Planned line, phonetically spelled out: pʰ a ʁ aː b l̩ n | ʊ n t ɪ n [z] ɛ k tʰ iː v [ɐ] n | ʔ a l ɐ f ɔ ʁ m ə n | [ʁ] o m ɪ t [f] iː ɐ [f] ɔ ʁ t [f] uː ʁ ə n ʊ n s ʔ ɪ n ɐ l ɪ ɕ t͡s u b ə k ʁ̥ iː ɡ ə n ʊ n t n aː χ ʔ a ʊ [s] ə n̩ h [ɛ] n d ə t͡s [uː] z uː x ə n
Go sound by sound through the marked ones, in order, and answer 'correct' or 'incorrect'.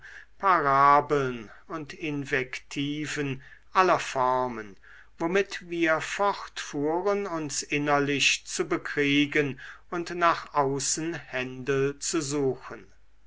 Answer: incorrect, incorrect, incorrect, incorrect, correct, correct, correct, correct, incorrect

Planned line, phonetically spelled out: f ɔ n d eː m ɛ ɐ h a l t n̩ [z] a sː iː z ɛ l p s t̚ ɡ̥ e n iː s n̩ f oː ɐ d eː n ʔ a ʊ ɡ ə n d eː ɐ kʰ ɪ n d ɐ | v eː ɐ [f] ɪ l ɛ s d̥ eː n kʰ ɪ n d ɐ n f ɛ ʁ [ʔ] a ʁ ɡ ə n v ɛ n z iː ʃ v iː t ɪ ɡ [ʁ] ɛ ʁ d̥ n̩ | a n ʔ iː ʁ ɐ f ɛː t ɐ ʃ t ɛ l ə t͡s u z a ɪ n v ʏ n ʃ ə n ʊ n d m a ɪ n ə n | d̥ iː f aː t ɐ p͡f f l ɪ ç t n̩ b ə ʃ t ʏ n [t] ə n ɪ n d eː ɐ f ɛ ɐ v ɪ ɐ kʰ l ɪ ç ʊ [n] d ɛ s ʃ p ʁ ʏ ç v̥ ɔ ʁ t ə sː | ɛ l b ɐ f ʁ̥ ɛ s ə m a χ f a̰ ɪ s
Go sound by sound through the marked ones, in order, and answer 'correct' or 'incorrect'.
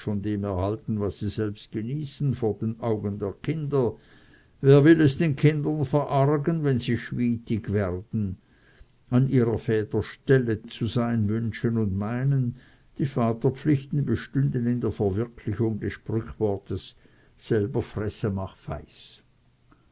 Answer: incorrect, incorrect, correct, incorrect, incorrect, incorrect

